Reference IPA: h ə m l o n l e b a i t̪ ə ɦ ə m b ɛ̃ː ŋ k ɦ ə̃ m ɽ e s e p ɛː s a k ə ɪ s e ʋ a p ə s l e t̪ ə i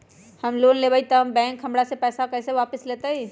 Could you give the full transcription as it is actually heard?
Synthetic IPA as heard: h ə m l o n l e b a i t̪ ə ɦ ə m b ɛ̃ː ŋ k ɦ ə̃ m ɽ a s e p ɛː s a k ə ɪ s e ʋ a p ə s l e t̪ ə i